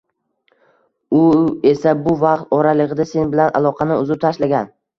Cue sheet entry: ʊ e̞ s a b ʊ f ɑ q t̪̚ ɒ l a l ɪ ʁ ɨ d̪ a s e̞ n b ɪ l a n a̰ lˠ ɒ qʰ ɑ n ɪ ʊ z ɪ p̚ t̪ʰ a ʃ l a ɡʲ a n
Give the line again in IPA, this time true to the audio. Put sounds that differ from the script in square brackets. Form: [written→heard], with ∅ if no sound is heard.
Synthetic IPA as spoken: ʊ e̞ s a b ʊ [f→v] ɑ q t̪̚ ɒ [l→ɾ] a l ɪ ʁ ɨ d̪ a s e̞ n b ɪ l a n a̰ lˠ ɒ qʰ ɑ n ɪ ʊ z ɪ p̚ t̪ʰ a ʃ l a ɡʲ a n